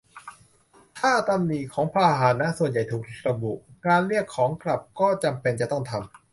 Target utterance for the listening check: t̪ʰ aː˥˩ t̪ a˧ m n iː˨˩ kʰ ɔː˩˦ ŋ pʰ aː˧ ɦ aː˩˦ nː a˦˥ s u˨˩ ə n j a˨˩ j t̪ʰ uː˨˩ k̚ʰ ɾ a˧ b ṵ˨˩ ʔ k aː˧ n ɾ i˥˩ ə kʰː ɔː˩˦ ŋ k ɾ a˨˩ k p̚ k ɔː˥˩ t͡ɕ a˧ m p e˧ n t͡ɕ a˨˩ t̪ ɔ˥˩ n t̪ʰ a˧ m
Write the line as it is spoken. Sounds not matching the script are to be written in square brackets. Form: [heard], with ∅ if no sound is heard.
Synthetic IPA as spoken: t̪ʰ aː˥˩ t̪ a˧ m n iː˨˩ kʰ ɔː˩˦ ŋ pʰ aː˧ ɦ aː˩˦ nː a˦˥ s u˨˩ ə n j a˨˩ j t̪ʰ uː˨˩ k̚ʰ ɾ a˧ b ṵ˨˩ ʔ k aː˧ n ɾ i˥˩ ə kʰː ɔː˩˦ ŋ k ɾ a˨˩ [∅] p̚ k ɔː˥˩ t͡ɕ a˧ m p e˧ n t͡ɕ a˨˩ t̪ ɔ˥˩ [ŋ] t̪ʰ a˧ m